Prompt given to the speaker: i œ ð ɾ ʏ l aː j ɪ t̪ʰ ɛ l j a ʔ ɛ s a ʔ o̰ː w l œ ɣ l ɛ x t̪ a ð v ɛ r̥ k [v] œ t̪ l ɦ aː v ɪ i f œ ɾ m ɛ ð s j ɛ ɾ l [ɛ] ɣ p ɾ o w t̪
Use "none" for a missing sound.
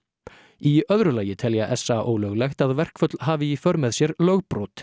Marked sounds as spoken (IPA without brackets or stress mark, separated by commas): f, œ